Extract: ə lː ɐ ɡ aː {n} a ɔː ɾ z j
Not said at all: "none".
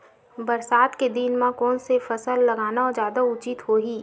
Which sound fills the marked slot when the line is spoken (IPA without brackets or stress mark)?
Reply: n